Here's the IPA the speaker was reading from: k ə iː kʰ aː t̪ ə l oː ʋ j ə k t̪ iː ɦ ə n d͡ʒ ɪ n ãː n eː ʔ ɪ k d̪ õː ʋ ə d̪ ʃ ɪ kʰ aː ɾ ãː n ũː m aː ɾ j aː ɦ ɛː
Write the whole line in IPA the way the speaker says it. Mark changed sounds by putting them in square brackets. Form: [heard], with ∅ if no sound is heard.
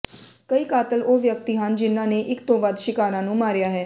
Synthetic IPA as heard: k ə iː [k] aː t̪ ə l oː ʋ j ə k t̪ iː ɦ ə n d͡ʒ ɪ n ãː n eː ʔ ɪ k [t̪] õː ʋ ə d̪ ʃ ɪ [k] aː ɾ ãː n ũː m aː ɾ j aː ɦ ɛː